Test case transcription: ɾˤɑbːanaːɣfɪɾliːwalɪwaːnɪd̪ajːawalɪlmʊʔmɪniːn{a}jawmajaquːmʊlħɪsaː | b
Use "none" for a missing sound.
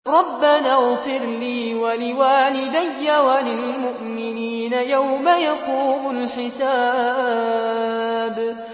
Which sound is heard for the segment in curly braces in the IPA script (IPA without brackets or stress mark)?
a